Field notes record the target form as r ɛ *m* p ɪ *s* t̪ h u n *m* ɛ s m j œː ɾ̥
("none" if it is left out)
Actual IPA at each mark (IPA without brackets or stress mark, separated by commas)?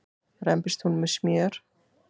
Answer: m, s, m